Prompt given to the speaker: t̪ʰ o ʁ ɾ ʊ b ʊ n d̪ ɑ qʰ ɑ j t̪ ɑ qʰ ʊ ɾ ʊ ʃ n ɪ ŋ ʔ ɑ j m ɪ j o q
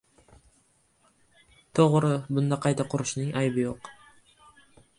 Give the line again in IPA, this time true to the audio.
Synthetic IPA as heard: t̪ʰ o ʁ ɾ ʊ b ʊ n d̪ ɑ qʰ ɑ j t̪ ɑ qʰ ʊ ɾ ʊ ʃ n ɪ ŋ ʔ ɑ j b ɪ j o q